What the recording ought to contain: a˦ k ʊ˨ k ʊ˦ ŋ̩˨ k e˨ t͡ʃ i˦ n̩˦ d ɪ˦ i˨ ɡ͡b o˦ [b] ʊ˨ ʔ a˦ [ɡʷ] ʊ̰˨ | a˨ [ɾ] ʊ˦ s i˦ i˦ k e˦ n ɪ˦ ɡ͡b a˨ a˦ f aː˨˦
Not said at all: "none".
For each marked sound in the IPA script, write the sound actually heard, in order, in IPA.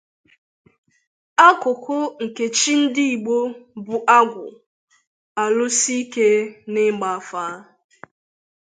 b, ɡʷ, l

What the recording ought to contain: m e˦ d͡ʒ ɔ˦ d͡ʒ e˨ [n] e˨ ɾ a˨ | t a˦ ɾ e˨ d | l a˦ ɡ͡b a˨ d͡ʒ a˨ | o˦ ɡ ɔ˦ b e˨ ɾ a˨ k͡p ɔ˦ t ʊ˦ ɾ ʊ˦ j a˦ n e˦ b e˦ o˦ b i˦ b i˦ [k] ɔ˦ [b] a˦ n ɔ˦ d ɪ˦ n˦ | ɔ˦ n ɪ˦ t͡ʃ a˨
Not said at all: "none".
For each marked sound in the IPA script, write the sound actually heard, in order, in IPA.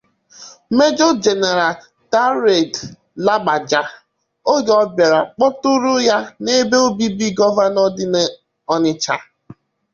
n, ɡ, v

